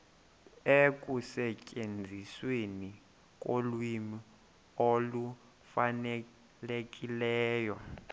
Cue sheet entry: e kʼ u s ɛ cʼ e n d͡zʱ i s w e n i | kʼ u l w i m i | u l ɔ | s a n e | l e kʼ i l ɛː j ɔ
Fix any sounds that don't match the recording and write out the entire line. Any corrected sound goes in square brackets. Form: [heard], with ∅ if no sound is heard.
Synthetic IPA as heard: e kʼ u s ɛ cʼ e n d͡zʱ i s w e n i | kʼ [o] l w i m i | [o] l [u] | [f] a n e | l e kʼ i l ɛː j ɔ